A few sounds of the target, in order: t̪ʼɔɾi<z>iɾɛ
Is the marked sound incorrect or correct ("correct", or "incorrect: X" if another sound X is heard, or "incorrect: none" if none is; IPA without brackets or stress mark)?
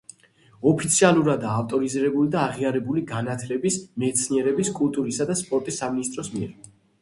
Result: correct